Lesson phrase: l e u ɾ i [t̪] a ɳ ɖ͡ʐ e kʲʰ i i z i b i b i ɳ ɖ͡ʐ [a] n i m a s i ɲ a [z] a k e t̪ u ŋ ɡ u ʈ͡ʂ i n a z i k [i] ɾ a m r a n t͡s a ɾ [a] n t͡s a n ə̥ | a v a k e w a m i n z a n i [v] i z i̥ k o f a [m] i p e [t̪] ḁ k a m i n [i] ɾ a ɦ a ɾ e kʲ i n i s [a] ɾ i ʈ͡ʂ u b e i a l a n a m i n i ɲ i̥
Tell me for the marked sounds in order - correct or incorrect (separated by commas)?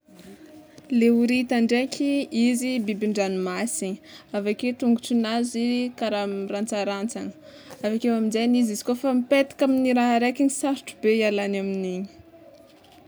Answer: correct, correct, incorrect, incorrect, correct, incorrect, correct, correct, correct, correct